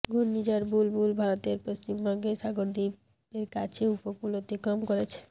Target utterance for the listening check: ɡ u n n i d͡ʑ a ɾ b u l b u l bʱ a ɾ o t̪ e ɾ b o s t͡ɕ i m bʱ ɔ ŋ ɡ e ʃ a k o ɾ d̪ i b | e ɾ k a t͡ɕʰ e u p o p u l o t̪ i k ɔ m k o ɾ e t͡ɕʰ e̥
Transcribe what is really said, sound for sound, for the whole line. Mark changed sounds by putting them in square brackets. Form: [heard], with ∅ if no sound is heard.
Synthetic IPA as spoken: ɡ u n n i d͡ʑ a ɾ b u l b u l bʱ a ɾ o t̪ e ɾ [p] o s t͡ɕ i m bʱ ɔ ŋ ɡ e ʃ a [ɡ] o ɾ d̪ i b | e ɾ k a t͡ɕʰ e u p o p u l o t̪ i k ɔ m k o ɾ e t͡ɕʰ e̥